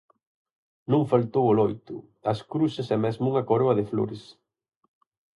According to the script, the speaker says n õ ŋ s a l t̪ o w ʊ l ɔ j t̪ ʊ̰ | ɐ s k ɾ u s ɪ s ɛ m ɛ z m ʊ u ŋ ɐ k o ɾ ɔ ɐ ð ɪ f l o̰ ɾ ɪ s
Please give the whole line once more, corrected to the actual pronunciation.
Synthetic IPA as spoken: n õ ŋ f a l t̪ o w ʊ l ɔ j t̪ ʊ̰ | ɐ s k ɾ u s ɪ s ɛ m ɛ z m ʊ u ŋ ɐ k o ɾ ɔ ɐ ð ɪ f l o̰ ɾ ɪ s